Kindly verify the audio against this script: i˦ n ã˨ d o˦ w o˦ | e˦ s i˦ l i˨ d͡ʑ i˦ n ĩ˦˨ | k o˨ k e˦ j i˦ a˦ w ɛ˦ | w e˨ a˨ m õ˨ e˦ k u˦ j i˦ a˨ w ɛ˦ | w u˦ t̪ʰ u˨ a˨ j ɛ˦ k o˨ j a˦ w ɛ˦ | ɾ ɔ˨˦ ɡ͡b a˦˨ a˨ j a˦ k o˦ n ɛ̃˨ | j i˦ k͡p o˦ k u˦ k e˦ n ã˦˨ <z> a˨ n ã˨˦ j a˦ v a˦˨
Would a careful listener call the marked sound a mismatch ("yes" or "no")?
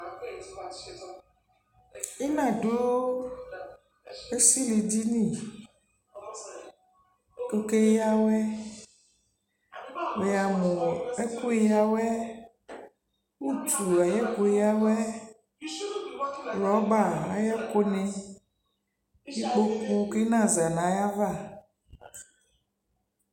no